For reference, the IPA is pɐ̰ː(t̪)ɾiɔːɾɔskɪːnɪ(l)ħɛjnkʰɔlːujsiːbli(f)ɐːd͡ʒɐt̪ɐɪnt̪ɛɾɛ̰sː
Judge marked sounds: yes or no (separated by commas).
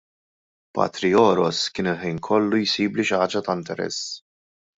yes, yes, no